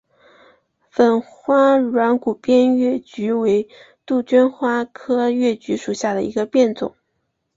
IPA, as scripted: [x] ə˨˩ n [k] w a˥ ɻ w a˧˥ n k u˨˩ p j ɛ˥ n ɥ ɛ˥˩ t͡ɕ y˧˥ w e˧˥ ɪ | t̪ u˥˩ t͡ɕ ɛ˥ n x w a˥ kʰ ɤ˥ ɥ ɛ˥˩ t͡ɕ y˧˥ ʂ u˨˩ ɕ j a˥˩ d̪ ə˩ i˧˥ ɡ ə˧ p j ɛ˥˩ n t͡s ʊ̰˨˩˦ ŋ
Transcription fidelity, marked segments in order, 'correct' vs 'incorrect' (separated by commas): incorrect, incorrect